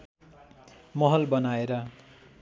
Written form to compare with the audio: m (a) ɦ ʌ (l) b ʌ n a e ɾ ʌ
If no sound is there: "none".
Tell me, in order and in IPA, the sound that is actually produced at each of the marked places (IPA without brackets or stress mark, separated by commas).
ʌ, l